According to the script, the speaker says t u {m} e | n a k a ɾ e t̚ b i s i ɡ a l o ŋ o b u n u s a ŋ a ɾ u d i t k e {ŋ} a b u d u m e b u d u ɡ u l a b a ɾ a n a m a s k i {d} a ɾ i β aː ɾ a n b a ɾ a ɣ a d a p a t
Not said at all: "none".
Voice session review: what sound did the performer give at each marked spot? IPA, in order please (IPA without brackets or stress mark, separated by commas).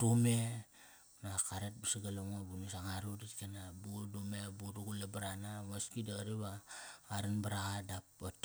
m, n, d